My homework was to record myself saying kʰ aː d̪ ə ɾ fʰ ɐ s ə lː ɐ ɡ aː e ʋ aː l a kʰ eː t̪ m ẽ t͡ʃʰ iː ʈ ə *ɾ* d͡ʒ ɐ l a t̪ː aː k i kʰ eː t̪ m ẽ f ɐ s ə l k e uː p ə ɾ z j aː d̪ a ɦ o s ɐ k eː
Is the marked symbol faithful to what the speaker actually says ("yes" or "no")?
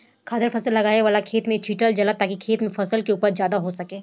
no